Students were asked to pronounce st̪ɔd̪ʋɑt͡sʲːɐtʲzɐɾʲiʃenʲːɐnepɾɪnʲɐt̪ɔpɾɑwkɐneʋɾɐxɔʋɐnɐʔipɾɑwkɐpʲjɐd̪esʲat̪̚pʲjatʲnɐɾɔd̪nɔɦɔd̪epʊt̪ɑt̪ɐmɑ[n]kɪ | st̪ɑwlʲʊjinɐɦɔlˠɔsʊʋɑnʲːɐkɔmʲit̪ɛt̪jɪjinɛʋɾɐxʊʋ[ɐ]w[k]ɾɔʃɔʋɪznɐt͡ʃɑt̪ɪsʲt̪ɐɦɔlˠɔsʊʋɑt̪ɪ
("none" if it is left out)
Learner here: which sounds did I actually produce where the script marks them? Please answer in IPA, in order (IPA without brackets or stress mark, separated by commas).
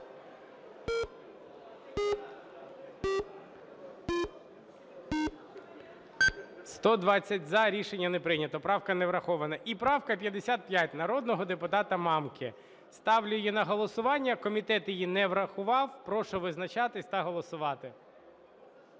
m, ɑ, p